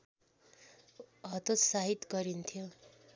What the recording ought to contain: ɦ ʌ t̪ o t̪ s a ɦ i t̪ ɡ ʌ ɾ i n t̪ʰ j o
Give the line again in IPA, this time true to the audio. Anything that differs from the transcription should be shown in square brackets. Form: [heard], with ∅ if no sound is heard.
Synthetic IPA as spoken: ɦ ʌ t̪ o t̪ s a ɦ i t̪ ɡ ʌ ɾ i n t̪ʰ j o